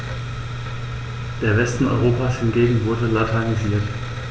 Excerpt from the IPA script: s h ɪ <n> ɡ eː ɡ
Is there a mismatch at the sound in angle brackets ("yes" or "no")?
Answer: no